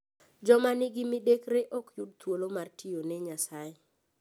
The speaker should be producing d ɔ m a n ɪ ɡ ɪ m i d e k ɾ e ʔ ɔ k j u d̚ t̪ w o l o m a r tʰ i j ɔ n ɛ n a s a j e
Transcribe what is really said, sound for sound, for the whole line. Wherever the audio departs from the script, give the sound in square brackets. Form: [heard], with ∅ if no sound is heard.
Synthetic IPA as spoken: [d͡ʒ] ɔ m a n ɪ ɡ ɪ m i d e k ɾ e ʔ ɔ k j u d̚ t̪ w o l o m a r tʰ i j [o] n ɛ [ɲ] a s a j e